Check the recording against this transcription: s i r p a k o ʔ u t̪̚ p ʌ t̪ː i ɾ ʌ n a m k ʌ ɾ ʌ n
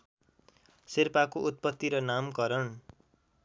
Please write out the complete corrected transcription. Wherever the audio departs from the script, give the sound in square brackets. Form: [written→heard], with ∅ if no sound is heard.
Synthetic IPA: s i r p a k o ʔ u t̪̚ p ʌ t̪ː i ɾ ʌ n a m k ʌ ɾ ʌ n